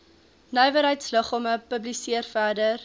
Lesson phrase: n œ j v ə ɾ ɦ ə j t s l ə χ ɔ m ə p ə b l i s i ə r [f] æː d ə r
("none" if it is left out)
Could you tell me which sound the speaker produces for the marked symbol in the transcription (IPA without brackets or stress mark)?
f